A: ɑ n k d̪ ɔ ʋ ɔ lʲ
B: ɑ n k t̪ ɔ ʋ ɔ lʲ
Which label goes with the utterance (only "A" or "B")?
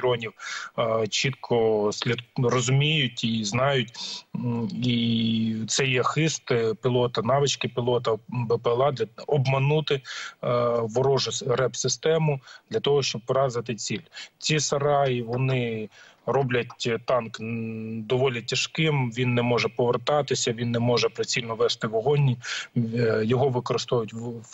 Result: A